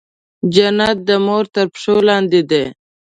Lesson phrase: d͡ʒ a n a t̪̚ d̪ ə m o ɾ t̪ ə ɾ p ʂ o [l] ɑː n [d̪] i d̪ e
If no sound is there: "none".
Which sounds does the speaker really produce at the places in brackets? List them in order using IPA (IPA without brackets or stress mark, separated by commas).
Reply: l, d̪